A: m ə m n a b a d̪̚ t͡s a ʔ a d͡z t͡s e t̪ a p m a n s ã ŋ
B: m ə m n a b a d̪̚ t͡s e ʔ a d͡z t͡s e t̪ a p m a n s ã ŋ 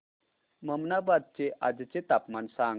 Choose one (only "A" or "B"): B